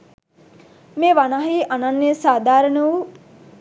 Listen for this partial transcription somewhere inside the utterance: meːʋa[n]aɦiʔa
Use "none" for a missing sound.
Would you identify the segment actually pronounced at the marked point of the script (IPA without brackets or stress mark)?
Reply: n